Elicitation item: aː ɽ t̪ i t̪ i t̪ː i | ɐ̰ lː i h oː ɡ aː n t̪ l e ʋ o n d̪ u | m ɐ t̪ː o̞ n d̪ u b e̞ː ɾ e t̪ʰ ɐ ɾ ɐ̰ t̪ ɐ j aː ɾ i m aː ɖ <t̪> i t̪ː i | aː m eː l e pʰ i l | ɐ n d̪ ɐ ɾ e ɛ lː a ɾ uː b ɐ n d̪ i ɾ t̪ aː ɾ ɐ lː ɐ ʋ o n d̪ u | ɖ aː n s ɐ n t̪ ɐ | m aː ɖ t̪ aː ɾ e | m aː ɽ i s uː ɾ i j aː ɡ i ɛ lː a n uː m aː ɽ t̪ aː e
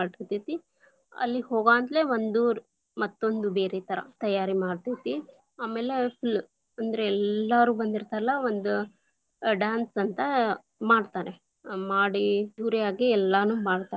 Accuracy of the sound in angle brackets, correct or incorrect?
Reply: correct